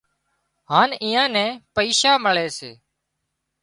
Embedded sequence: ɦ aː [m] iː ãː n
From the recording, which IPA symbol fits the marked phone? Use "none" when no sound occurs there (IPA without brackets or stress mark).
n